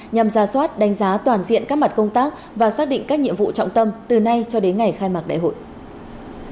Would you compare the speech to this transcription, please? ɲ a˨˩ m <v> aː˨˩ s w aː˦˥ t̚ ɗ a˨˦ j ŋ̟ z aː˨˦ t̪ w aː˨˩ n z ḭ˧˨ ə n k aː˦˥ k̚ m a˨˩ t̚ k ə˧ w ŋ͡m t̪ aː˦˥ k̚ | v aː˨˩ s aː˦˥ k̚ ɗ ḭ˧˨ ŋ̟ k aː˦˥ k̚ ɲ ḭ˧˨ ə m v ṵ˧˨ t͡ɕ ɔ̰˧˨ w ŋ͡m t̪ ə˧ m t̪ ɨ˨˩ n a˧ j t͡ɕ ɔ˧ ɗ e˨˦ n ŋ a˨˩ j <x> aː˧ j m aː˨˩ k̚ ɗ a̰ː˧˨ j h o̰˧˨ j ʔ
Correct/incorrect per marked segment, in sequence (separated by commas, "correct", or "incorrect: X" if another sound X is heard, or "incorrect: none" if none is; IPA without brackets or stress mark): incorrect: z, correct